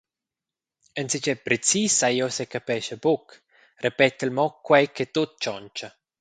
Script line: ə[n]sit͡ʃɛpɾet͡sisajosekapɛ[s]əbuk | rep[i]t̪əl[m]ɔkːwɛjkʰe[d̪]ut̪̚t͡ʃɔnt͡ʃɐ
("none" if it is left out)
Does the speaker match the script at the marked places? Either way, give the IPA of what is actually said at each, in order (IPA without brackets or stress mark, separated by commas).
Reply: n, ʃ, ɛ, m, t̪